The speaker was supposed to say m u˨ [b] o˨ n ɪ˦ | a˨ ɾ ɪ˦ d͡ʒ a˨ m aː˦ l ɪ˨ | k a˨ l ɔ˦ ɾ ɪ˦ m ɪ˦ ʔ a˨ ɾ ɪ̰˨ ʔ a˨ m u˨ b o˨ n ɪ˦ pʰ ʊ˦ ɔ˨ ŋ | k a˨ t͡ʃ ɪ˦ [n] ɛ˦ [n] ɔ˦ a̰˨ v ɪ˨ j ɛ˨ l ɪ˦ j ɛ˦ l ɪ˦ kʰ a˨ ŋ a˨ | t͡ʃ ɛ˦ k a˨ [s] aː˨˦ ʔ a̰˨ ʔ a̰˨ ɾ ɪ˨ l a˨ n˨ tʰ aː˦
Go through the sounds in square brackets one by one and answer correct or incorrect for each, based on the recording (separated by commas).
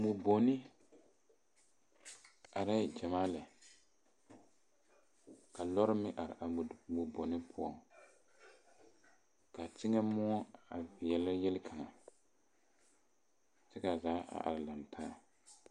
correct, incorrect, incorrect, incorrect